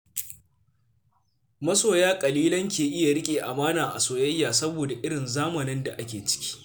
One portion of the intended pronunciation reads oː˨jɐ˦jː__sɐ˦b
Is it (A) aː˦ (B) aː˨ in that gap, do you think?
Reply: B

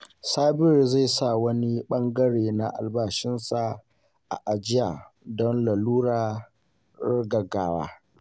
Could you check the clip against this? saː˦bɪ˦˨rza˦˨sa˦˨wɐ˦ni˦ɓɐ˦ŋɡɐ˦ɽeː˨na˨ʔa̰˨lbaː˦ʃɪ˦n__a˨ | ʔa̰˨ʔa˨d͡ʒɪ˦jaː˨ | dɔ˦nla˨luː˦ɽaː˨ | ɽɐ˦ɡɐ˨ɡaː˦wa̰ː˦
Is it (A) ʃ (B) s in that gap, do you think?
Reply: B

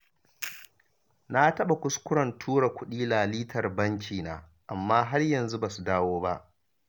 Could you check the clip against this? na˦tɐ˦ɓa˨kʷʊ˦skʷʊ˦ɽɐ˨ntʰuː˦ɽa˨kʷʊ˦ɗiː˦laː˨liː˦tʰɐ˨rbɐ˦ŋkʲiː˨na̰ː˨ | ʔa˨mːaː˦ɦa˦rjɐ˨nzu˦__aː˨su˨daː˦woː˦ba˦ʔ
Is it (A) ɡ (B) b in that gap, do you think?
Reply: B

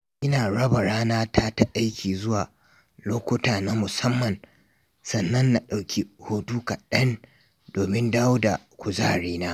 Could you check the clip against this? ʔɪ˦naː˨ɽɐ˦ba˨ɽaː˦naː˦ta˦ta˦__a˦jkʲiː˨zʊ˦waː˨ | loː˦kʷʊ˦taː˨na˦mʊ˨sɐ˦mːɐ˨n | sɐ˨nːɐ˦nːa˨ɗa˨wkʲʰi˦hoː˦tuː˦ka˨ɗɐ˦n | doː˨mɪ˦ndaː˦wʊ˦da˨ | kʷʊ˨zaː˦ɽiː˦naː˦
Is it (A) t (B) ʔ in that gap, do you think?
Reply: B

